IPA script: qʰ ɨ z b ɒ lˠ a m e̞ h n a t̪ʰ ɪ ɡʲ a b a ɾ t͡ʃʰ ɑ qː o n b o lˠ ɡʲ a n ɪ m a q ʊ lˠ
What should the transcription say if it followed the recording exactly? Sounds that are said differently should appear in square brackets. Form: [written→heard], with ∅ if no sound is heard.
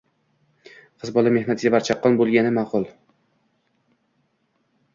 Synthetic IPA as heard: qʰ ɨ z b ɒ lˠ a m e̞ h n a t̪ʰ ɪ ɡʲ a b a ɾ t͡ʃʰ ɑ qː [o→ɒ] n b o lˠ ɡʲ a n ɪ m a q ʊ lˠ